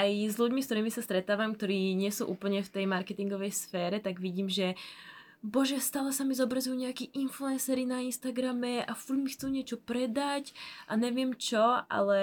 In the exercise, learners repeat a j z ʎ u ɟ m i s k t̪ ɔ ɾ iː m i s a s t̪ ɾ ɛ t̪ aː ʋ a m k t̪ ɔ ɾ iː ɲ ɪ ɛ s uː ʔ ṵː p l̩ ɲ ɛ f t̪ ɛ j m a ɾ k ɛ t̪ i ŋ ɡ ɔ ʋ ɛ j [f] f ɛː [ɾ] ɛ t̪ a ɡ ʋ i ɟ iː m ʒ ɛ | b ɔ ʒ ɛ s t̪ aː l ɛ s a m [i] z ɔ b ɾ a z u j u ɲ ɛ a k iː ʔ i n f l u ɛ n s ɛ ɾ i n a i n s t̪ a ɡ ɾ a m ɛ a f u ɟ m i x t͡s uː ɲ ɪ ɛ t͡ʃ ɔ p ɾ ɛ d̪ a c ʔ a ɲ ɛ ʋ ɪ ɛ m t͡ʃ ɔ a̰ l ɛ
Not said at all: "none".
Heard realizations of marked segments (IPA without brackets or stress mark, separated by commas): s, ɾ, i